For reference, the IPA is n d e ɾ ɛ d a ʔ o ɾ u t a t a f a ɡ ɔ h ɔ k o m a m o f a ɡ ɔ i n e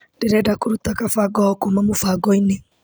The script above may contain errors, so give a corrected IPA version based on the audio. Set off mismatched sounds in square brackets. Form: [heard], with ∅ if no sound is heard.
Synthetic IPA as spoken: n d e ɾ ɛ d a [k] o ɾ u t a [k] a f a ɡ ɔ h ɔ k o m a m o f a ɡ ɔ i n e